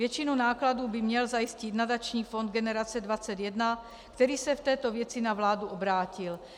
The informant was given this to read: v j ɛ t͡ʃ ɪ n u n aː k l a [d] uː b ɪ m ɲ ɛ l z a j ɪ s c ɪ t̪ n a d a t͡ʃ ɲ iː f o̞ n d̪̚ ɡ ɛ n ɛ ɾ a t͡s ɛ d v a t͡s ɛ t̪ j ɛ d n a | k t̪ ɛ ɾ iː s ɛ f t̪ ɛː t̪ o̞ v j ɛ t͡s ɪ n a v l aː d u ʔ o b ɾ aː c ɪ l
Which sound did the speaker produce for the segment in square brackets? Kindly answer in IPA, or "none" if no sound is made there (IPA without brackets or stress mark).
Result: d